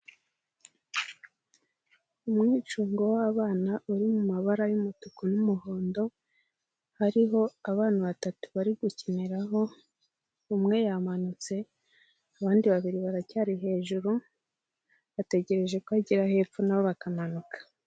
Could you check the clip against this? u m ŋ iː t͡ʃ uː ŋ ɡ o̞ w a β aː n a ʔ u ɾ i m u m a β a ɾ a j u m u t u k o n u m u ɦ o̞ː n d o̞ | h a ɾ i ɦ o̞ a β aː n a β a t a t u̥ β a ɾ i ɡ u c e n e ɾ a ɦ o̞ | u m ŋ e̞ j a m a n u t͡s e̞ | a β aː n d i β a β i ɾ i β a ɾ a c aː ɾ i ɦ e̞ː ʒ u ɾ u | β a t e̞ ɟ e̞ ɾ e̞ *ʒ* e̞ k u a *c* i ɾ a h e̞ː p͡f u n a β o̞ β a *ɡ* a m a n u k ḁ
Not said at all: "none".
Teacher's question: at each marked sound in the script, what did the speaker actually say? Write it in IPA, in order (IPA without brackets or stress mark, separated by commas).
ʒ, ɟ, k